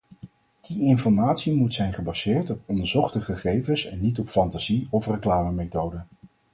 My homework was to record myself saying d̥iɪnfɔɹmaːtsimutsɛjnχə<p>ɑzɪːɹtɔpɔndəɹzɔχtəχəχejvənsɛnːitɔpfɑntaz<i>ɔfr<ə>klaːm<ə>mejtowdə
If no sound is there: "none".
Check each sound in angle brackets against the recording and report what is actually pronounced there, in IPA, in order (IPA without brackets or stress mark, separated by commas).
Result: b, i, ə, ə